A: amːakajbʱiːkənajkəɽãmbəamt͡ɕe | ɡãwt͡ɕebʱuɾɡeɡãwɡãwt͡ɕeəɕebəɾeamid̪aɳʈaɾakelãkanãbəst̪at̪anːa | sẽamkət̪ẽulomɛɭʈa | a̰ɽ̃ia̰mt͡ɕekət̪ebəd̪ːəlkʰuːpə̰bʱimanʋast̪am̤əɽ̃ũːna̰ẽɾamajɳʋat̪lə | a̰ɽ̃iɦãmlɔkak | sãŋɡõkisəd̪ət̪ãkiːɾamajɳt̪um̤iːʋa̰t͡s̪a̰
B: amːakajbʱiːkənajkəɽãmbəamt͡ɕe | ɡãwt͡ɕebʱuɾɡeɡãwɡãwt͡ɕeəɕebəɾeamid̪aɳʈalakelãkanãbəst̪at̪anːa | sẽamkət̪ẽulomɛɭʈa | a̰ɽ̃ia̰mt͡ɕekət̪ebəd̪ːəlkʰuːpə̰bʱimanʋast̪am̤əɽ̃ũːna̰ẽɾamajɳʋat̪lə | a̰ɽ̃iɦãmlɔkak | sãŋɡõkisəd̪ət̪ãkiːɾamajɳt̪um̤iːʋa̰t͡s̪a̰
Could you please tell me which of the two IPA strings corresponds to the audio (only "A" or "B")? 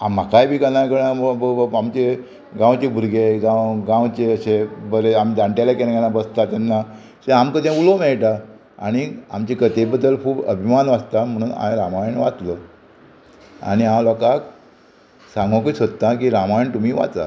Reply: B